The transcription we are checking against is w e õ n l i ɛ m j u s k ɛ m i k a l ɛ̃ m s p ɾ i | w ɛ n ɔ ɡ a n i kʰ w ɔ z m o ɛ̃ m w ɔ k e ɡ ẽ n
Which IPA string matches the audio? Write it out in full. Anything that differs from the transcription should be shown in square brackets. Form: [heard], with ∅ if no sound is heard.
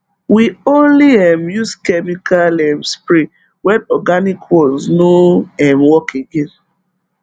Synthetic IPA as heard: w [i] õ n l i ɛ m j u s k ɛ m i k a l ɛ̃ m s p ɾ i | w ɛ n ɔ ɡ a n i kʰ w ɔ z [n] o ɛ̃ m w ɔ k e ɡ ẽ n